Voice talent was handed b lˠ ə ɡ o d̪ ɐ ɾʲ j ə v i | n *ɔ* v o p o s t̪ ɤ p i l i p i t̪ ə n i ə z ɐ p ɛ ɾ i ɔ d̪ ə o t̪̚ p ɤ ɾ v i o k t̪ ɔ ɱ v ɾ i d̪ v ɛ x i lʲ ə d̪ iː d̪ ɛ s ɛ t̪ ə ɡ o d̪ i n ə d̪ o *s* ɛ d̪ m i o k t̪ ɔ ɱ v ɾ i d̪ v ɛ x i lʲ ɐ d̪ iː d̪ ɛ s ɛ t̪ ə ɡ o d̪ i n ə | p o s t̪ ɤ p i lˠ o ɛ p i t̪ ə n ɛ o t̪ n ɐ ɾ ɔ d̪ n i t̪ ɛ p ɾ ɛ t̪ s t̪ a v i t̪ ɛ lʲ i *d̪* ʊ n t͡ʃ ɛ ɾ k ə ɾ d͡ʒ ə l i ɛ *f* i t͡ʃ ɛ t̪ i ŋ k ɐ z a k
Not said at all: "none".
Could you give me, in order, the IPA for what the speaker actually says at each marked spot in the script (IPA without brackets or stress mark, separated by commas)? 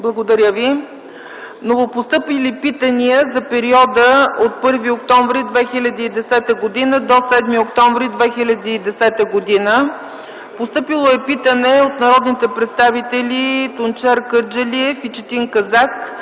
o, s, t̪, f